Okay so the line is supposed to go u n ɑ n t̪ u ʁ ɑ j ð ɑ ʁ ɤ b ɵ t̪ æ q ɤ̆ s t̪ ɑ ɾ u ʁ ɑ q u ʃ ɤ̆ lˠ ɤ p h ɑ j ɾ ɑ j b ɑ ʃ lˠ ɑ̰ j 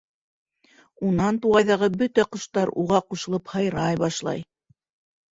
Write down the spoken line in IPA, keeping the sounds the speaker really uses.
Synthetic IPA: u n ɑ n t̪ u ʁ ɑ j ð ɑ ʁ ɤ b ɵ t̪ æ q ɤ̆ ʃ t̪ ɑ ɾ u ʁ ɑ q u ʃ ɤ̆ lˠ ɤ p h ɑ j ɾ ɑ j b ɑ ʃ lˠ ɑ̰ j